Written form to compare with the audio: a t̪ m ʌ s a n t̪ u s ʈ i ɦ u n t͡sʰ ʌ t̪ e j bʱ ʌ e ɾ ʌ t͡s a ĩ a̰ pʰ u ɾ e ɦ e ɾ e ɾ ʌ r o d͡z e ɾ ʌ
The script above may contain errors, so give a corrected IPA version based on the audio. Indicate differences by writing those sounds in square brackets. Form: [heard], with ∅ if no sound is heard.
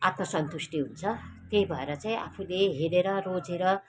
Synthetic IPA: a t̪ m ʌ s [ʌ] n t̪ u s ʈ i ɦ u n t͡sʰ ʌ t̪ e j bʱ ʌ e ɾ ʌ t͡s a ĩ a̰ pʰ u [l] e ɦ e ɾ e ɾ ʌ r o d͡z e ɾ ʌ